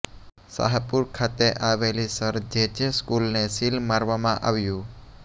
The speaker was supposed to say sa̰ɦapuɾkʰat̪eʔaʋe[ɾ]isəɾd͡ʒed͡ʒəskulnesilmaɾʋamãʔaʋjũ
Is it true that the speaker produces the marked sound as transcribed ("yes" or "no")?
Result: no